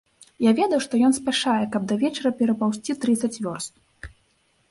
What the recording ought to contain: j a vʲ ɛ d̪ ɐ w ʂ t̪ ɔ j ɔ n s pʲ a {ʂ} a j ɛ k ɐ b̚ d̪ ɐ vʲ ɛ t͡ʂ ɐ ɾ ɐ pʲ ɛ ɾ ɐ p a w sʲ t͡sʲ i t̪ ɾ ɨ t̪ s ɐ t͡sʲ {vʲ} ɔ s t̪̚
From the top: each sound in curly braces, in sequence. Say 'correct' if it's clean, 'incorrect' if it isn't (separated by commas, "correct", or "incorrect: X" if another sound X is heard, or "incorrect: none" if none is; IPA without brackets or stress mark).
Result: correct, correct